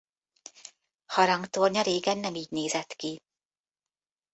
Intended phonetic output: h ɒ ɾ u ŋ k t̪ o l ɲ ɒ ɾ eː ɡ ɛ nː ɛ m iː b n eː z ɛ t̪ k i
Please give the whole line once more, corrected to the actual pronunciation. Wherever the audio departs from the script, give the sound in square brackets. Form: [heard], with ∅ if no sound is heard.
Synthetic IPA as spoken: h ɒ ɾ [ɒ] ŋ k t̪ o [r] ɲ ɒ ɾ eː ɡ ɛ nː ɛ m iː [ɟ] n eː z ɛ t̪ k i